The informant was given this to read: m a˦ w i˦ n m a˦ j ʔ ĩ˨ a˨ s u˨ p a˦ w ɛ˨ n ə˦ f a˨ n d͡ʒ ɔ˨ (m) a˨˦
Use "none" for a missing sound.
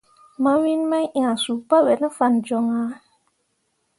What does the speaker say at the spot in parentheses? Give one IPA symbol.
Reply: ŋ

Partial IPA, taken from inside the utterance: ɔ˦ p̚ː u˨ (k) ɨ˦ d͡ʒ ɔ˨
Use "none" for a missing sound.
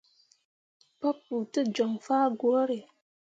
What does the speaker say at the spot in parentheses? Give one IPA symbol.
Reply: t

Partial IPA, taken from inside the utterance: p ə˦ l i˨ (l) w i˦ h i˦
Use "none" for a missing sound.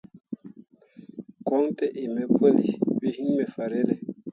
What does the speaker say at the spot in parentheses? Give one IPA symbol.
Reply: none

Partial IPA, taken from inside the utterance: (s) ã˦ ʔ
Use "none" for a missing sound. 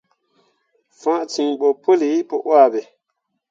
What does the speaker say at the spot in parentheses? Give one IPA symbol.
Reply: f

